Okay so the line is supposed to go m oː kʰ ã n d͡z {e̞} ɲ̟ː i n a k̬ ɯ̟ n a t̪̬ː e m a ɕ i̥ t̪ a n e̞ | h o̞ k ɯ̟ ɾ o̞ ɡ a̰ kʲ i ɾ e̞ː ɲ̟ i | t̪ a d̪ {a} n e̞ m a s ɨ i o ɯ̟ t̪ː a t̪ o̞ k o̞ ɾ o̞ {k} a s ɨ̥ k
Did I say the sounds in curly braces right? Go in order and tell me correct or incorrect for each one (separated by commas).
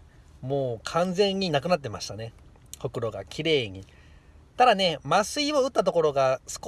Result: incorrect, correct, incorrect